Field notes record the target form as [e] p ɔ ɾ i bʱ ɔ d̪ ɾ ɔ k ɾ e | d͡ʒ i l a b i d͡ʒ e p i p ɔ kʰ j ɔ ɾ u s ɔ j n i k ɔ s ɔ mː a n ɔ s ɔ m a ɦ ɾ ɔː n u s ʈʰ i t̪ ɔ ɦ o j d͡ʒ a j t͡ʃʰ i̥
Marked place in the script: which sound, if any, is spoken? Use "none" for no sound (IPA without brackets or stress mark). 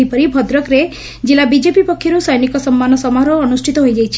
i